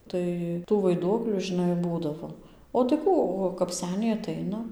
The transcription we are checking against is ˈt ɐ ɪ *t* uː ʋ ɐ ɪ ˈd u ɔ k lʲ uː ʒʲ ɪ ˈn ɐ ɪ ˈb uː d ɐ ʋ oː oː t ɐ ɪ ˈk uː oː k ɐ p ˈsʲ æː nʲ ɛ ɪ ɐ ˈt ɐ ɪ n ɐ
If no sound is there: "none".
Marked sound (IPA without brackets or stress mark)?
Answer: t